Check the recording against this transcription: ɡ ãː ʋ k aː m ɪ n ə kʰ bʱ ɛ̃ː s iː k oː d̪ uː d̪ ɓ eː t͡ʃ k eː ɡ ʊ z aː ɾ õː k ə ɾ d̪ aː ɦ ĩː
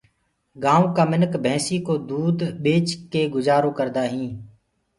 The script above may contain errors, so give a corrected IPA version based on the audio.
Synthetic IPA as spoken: ɡ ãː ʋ k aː m ɪ n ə k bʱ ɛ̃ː s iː k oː d̪ uː d̪ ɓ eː t͡ʃ k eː ɡ ʊ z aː ɾ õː k ə ɾ d̪ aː ɦ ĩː